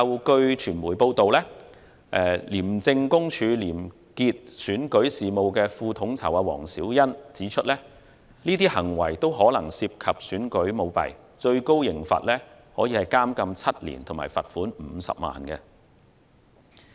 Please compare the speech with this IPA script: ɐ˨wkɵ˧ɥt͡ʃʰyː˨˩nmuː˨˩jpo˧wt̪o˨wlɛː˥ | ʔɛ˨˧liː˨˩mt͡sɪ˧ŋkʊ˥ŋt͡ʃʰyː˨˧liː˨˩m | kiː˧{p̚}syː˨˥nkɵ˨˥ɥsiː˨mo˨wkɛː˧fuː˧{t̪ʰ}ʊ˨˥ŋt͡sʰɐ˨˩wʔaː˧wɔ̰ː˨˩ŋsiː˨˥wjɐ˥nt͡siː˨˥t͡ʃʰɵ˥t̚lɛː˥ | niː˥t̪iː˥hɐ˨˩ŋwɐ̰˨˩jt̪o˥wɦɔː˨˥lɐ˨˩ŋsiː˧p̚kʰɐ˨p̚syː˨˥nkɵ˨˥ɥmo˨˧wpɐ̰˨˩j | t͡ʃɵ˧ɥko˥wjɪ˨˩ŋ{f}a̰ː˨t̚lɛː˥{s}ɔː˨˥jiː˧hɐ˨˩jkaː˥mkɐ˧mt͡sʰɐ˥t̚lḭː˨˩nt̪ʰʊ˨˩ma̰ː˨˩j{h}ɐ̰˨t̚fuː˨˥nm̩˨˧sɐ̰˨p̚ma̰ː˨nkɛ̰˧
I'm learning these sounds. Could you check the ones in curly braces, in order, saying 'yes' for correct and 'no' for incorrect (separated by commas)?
no, yes, yes, no, no